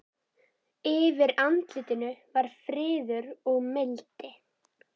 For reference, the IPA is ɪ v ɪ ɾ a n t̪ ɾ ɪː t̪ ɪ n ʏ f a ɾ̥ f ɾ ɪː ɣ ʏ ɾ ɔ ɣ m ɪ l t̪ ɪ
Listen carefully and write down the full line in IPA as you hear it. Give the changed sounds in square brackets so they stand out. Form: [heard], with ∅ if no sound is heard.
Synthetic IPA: ɪ v ɪ ɾ a n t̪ [l] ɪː t̪ ɪ n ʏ [v] a ɾ̥ f ɾ ɪː [ð] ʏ ɾ ɔ ɣ m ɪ l t̪ ɪ